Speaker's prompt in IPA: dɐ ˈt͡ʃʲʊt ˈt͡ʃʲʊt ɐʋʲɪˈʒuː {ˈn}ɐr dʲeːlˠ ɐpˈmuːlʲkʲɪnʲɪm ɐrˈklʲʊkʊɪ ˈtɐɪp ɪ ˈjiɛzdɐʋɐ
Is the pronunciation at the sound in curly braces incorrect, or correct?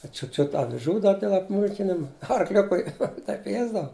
incorrect